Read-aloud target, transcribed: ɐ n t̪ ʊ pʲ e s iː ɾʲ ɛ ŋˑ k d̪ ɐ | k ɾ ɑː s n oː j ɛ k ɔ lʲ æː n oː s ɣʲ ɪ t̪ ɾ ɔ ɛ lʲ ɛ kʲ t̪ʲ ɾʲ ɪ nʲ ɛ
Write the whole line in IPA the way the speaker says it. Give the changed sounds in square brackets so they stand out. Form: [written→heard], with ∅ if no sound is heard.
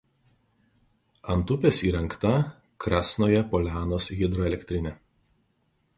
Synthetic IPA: ɐ n t̪ ʊ pʲ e s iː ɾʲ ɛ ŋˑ k [d̪→t̪] ɐ | k ɾ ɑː s n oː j ɛ [k→p] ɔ lʲ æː n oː s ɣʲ ɪ [t̪→d̪] ɾ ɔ ɛ lʲ ɛ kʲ t̪ʲ ɾʲ ɪ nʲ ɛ